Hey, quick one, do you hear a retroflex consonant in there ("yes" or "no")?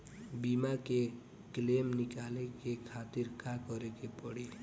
yes